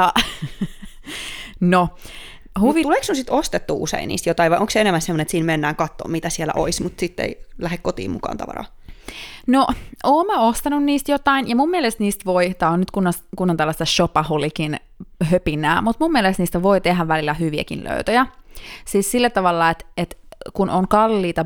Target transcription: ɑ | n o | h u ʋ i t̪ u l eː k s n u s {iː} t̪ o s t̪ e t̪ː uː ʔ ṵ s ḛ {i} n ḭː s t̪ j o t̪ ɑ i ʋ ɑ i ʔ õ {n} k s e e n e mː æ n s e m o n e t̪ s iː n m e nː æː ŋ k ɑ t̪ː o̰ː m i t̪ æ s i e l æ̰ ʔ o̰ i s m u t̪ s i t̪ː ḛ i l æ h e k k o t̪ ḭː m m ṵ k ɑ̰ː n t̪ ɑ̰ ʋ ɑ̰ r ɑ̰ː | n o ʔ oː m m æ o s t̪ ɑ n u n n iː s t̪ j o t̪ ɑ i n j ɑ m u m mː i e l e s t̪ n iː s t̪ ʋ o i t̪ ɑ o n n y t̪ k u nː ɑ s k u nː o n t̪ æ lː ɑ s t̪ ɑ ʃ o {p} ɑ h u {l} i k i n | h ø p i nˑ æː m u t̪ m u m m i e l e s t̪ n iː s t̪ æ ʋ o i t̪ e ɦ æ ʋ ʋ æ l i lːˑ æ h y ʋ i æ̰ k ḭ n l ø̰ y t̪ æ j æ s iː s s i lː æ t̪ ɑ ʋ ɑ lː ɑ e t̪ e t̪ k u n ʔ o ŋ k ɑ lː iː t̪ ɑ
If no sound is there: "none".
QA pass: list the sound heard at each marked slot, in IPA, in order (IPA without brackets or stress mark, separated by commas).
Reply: i, i, ŋ, p, l